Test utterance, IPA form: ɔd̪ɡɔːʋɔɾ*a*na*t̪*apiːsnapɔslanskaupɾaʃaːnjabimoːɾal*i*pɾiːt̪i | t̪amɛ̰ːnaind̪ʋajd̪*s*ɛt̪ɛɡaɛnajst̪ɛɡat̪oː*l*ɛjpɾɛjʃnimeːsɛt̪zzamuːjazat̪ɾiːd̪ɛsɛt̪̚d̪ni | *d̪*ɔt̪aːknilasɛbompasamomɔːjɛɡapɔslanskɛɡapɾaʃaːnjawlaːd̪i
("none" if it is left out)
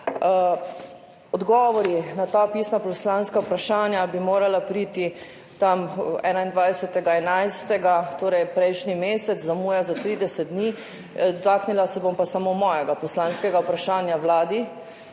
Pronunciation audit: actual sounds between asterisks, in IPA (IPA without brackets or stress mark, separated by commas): i, t̪, a, s, ɾ, d̪